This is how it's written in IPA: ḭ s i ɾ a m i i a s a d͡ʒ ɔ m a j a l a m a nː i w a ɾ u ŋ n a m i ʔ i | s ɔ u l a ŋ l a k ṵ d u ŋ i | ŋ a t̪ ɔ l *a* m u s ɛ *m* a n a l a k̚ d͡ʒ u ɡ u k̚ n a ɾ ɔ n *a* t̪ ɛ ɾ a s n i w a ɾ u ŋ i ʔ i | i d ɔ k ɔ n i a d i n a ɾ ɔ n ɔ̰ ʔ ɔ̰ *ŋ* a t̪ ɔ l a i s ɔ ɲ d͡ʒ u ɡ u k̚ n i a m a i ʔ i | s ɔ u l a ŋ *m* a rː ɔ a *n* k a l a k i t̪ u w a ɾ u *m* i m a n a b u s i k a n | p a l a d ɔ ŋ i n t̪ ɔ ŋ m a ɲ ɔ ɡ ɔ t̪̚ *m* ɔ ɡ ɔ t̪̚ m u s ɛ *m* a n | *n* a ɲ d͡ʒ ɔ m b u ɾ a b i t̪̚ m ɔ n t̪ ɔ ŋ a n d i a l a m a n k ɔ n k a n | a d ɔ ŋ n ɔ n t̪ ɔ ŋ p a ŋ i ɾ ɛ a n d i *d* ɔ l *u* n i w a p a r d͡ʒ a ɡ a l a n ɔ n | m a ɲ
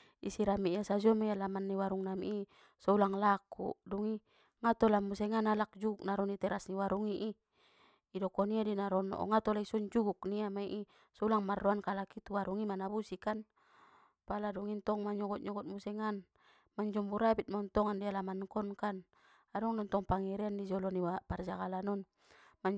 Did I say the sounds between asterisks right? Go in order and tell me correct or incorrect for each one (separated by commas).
correct, incorrect, incorrect, correct, correct, correct, incorrect, incorrect, incorrect, incorrect, incorrect, incorrect